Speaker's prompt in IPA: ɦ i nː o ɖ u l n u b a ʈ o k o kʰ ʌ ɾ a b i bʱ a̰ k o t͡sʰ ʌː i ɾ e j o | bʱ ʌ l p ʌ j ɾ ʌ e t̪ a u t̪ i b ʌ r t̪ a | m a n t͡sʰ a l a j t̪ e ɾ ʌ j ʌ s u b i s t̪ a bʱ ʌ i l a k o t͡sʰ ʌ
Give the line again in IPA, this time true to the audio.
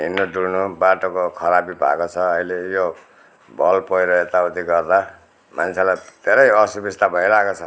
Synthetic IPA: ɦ i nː o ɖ u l n u b a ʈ o k o kʰ ʌ ɾ a b i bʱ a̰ k o t͡sʰ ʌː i l e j o | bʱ ʌ l p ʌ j ɾ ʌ e t̪ a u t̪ i ɡ ʌ r d̪ a | m a n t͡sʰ e l a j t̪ e ɾ ʌ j ʌ s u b i s t̪ a bʱ ʌ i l a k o t͡sʰ ʌ